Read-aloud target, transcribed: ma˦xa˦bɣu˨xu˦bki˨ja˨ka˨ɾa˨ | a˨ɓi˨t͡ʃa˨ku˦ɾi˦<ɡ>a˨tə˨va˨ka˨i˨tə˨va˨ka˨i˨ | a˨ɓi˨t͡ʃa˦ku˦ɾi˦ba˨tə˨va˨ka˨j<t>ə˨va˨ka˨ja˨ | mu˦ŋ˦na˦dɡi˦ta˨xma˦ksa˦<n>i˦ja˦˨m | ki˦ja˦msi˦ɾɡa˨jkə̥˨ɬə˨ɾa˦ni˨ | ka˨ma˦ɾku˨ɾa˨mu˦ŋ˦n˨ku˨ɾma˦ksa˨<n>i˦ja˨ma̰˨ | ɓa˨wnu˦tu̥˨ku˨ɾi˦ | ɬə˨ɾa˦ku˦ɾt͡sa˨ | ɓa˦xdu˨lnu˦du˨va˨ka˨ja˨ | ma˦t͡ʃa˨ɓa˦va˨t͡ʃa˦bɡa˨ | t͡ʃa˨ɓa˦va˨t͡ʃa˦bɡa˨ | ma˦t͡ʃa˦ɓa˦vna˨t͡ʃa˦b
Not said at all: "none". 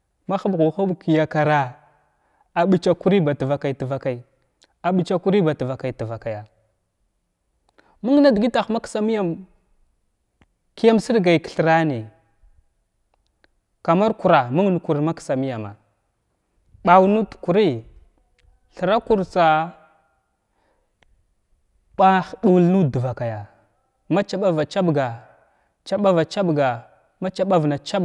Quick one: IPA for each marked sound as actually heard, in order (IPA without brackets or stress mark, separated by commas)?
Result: b, t, m, m